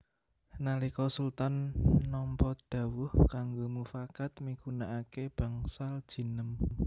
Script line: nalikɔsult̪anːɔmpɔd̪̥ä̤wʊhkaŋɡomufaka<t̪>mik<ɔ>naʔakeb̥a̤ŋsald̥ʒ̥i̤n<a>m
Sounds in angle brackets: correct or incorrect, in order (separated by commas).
correct, incorrect, incorrect